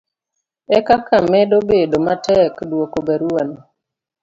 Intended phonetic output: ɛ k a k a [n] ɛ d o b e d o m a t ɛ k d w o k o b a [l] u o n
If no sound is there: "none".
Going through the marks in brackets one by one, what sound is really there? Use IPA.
m, ɾ

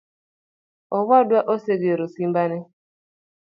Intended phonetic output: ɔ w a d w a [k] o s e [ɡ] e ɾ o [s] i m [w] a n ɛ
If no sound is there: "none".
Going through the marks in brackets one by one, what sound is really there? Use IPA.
ʔ, ɡ, s, b

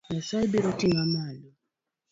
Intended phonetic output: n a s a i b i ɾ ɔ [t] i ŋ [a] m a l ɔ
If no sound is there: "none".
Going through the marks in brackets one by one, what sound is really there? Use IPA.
t, a

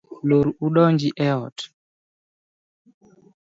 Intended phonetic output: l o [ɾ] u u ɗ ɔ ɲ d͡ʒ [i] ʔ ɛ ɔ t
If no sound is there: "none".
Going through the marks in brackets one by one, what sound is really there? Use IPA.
ɾ, i

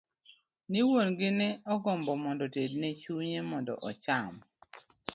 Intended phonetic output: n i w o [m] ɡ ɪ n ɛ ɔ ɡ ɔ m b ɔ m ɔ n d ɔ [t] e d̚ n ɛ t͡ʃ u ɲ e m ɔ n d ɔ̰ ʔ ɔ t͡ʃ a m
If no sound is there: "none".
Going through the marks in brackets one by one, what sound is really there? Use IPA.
n, t

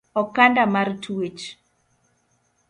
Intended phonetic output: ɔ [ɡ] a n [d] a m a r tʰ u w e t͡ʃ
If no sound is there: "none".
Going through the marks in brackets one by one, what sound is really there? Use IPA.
k, d

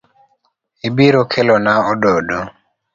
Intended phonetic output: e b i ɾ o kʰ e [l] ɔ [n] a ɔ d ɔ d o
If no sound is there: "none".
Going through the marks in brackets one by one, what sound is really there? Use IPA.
l, n

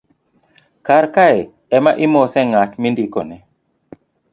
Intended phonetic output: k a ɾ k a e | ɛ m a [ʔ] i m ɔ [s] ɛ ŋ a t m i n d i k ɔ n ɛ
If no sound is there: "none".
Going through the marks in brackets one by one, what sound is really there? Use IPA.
ʔ, s

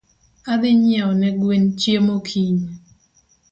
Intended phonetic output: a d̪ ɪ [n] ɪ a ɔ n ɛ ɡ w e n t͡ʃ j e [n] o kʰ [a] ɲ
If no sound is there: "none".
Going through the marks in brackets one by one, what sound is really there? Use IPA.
ɲ, m, i

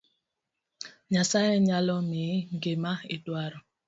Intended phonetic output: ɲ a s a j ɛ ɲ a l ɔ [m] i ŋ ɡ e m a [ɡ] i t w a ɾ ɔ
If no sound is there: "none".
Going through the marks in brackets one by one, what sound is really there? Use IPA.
m, none

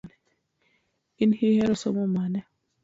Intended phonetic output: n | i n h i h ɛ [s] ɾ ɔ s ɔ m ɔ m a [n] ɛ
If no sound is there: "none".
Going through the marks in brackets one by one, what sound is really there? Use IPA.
none, n

